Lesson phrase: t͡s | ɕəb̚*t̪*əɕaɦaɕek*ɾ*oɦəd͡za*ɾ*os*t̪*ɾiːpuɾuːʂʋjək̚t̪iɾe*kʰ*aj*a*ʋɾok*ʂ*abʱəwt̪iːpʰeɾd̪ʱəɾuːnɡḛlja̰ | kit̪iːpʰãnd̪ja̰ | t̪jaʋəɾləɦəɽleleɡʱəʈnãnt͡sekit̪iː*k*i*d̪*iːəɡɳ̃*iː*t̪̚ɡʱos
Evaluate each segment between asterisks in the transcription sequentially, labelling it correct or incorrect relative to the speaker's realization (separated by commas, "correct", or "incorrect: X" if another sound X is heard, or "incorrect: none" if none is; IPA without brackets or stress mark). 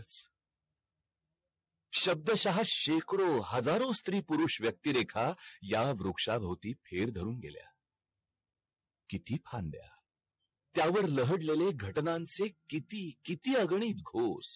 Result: incorrect: d̪, incorrect: ɽ, correct, correct, correct, correct, correct, correct, incorrect: t̪, correct